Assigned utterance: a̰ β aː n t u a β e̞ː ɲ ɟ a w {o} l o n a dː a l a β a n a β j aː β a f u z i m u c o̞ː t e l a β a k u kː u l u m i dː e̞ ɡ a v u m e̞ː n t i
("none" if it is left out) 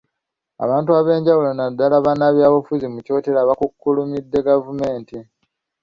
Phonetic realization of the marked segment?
u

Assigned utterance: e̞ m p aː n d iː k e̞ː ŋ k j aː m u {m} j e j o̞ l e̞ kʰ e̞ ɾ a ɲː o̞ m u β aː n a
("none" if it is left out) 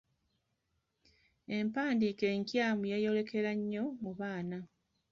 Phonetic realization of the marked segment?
none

